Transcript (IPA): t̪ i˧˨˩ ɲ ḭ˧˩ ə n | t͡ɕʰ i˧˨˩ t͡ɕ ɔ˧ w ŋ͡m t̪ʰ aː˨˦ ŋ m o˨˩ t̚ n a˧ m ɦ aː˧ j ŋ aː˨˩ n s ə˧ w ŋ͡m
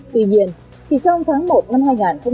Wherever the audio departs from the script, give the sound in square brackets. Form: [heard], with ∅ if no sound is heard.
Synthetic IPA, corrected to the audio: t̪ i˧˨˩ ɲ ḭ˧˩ ə n | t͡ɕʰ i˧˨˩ t͡ɕ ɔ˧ w ŋ͡m t̪ʰ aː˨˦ ŋ m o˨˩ t̚ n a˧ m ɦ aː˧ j ŋ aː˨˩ n [x] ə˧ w ŋ͡m

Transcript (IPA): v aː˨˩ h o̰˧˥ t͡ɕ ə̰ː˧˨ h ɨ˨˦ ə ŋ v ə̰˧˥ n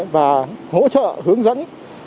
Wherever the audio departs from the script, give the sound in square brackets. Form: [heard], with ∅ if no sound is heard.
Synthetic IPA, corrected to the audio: v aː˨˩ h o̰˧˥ t͡ɕ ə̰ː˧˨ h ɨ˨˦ ə ŋ [z] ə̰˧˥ n

